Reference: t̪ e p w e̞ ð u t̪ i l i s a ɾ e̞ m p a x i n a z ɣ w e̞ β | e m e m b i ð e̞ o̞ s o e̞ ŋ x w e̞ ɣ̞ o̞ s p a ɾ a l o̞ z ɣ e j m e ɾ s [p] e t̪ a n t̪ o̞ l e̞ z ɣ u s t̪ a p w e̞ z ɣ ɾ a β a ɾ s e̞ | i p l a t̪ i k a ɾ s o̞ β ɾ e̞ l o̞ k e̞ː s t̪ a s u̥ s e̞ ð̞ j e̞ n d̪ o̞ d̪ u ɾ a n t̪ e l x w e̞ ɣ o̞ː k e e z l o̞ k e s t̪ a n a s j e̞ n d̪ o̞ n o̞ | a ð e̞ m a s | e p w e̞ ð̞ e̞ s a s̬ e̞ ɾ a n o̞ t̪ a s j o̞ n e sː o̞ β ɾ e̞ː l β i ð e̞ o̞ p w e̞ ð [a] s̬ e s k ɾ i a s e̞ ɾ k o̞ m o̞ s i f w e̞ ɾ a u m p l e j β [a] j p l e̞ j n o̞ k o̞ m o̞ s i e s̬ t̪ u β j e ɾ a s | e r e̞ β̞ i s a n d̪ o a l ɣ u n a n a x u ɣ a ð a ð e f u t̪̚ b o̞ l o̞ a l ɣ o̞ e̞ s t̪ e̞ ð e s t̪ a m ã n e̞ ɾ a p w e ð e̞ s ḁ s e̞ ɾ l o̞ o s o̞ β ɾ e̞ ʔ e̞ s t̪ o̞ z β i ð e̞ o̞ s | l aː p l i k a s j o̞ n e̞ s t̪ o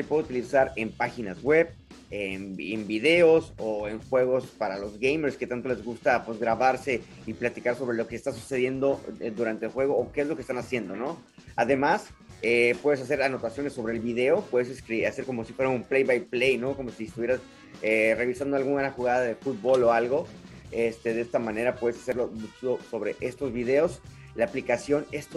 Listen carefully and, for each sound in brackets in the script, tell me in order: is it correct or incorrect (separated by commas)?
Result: incorrect, incorrect, correct